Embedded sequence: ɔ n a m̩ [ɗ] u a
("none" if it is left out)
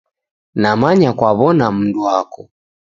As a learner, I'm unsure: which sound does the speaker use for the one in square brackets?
d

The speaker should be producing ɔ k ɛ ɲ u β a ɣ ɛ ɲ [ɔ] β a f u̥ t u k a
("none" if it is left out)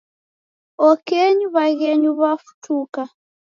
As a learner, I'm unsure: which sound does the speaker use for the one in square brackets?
u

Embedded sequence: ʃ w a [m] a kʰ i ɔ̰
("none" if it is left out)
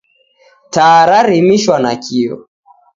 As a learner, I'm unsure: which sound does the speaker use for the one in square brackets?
n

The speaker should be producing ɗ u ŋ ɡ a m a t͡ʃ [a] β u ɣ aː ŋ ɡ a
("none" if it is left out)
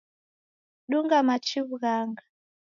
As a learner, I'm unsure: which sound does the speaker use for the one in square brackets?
i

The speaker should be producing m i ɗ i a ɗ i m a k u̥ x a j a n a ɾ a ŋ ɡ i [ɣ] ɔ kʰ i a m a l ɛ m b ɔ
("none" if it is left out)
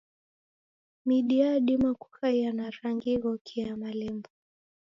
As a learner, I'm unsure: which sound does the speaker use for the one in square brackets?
ɣ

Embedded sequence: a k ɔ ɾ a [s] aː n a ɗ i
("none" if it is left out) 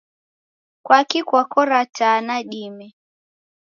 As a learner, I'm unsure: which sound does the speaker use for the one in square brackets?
t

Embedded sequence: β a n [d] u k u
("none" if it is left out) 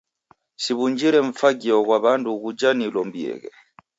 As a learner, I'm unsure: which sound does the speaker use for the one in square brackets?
d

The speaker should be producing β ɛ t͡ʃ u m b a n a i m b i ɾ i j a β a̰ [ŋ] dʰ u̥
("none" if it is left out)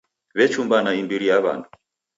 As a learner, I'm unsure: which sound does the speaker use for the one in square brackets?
n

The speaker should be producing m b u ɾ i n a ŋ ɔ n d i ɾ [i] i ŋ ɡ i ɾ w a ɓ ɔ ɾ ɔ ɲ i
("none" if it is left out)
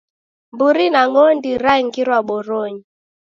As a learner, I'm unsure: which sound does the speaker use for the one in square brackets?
a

